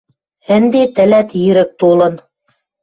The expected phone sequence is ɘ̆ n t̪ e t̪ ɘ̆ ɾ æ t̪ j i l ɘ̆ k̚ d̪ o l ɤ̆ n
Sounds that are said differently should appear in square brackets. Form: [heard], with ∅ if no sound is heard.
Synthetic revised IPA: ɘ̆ n [d̪] e t̪ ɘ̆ [l] æ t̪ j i [ɾ] ɘ̆ k̚ [t̪] o l ɤ̆ n